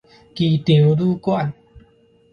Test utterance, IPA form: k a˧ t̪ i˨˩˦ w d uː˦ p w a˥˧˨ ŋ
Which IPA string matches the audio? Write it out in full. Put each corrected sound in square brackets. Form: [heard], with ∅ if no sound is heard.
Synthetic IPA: k [i˧] t̪ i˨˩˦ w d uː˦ [k] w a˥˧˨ [n]